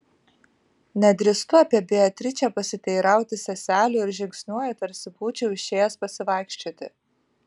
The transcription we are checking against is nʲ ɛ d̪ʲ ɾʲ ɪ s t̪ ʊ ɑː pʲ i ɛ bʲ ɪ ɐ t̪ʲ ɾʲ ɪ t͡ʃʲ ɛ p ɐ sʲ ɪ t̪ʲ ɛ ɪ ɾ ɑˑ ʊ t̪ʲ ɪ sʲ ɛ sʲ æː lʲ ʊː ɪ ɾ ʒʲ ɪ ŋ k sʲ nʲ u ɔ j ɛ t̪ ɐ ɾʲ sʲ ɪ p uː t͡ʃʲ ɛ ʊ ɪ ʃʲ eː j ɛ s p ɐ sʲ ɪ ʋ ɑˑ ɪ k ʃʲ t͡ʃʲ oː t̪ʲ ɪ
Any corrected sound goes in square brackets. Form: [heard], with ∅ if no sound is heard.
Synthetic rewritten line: nʲ ɛ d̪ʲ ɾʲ ɪ s t̪ ʊ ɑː pʲ i ɛ bʲ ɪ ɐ t̪ʲ ɾʲ ɪ t͡ʃʲ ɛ p ɐ sʲ ɪ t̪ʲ ɛ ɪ ɾ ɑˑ ʊ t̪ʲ ɪ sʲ ɛ sʲ æː lʲ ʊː ɪ ɾ ʒʲ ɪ ŋ k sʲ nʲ u ɔ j ɛ t̪ ɐ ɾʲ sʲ ɪ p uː t͡ʃʲ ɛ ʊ ɪ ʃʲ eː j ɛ s p ɐ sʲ ɪ ʋ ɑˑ ɪ k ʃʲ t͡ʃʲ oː t̪ʲ ɪ